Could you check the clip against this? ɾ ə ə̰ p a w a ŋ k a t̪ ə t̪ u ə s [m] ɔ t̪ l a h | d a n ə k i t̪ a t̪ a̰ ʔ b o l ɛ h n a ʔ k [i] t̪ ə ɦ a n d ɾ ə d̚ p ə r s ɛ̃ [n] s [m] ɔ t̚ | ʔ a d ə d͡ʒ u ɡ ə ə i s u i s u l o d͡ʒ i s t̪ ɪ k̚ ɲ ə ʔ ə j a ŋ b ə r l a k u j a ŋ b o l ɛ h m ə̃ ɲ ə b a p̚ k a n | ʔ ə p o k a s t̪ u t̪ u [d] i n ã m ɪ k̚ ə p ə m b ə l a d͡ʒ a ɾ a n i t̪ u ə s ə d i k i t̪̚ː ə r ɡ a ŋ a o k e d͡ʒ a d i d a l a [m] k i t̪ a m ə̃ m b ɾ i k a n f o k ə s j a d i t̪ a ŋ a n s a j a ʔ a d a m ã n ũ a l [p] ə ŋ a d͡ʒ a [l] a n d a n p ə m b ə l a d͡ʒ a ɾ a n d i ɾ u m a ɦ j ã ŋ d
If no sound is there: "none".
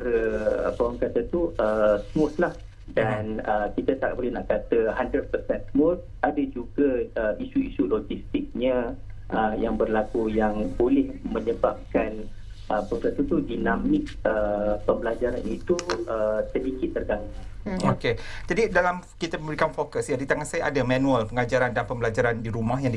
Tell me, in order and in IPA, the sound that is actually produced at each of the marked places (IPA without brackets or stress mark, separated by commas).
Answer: m, a, n, m, d, m, p, ɾ